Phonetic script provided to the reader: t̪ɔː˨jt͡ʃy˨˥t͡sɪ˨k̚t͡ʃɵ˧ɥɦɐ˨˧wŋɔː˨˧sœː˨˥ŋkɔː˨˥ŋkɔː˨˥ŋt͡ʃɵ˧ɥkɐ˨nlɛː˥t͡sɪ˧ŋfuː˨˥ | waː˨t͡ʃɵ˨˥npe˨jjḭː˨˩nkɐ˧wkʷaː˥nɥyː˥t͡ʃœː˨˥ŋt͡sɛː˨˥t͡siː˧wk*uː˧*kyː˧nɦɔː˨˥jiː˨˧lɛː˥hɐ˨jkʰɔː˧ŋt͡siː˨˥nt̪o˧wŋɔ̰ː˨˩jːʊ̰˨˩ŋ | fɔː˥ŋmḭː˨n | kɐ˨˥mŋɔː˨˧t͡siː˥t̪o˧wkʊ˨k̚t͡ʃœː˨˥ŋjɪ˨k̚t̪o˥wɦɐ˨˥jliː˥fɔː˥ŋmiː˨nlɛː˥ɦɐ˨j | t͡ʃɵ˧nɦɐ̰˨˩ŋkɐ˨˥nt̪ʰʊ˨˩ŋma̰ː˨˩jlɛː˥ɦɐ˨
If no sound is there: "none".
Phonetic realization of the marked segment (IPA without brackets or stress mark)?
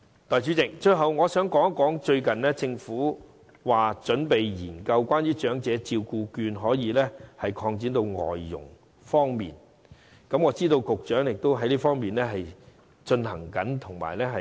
uː˧